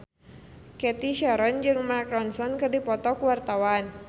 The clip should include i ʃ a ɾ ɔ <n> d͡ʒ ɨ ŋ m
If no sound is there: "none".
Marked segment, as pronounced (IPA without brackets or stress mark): n